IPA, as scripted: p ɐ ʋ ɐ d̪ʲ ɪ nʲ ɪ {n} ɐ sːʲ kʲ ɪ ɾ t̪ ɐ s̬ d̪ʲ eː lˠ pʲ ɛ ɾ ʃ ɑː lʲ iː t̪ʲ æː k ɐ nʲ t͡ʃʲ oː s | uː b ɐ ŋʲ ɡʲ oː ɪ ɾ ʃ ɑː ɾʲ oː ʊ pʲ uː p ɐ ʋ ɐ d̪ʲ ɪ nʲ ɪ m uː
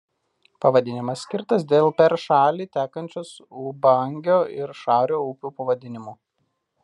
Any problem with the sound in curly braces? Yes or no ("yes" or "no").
yes